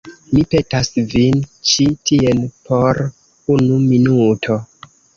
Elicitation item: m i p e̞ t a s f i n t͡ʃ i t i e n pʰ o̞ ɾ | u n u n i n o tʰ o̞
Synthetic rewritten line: m i p e̞ t a s v i n t͡ʃ i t i e n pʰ o̞ ɾ | u n u m i n u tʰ o̞